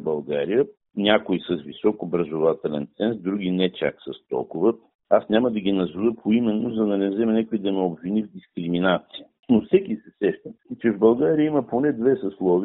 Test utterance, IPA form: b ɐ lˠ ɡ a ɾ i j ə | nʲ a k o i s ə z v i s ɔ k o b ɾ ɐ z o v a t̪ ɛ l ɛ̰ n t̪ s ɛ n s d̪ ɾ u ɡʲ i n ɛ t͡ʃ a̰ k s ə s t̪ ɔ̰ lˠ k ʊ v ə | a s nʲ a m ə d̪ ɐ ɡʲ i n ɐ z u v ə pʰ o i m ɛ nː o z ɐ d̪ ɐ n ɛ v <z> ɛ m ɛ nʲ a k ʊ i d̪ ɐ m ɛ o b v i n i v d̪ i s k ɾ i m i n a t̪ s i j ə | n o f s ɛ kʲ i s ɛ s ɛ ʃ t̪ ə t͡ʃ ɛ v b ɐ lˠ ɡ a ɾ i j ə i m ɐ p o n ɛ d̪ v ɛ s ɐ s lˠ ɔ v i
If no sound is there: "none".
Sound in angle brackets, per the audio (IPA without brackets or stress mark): z